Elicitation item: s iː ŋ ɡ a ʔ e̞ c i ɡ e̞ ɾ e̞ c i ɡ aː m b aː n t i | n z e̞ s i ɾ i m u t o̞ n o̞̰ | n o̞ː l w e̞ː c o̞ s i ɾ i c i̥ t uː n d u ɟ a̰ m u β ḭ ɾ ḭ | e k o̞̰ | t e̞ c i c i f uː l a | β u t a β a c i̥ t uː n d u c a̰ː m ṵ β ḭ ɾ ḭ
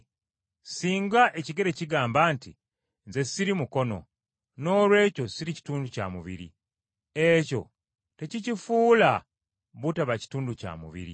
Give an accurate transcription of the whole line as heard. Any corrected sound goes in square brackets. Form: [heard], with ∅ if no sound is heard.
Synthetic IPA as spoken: s iː ŋ ɡ a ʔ e̞ c i ɡ e̞ ɾ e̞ c i ɡ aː m b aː n t i | n z e̞ s i ɾ i m u [k] o̞ n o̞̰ | n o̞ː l w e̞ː c o̞ s i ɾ i c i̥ t uː n d u [c] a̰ m u β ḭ ɾ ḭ | e [c] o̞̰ | t e̞ c i c i f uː l a | β u t a β a c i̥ t uː n d u c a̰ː m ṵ β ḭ ɾ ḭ